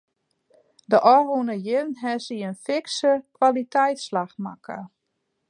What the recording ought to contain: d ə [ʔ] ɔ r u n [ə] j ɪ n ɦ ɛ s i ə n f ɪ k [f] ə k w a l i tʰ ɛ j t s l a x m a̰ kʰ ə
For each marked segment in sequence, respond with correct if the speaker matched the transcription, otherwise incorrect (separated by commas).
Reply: correct, correct, incorrect